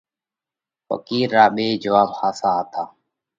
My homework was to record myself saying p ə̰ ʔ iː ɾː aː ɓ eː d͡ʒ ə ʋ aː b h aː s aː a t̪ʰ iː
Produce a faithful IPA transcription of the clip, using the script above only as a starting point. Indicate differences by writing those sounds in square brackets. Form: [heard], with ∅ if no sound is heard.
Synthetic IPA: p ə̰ [k] iː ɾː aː ɓ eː d͡ʒ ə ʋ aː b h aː s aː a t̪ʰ [aː]